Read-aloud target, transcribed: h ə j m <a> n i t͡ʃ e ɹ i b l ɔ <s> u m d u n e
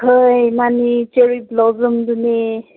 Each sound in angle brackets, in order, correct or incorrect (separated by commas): correct, incorrect